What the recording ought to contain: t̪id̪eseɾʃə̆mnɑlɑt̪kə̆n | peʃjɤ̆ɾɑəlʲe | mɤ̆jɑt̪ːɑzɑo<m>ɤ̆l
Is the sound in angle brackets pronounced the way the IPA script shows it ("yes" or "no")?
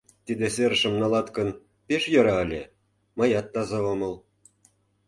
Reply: yes